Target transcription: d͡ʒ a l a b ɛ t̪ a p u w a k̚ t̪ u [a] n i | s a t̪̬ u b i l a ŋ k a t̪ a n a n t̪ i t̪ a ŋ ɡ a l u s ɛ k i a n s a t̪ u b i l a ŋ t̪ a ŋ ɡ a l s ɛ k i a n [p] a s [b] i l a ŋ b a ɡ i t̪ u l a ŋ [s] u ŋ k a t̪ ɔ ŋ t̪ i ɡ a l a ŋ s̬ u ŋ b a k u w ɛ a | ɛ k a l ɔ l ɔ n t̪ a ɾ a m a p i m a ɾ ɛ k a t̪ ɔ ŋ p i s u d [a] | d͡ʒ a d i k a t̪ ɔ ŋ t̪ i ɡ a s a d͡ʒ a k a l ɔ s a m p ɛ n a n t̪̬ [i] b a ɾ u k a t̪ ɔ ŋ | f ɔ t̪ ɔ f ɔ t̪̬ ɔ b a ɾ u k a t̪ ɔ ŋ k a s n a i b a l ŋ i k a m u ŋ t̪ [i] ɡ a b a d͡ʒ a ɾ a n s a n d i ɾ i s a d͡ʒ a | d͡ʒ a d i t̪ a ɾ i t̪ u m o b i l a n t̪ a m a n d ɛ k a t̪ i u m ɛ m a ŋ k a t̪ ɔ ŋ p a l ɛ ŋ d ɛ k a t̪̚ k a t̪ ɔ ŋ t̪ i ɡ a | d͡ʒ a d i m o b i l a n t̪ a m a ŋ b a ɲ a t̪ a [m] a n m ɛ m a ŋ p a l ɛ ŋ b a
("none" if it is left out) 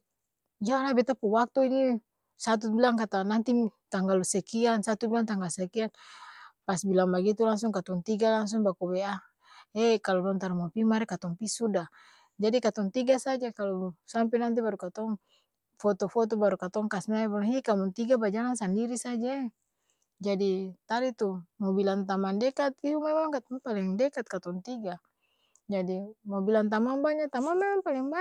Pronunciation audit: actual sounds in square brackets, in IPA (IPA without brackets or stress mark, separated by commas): i, p, b, s, a, i, i, m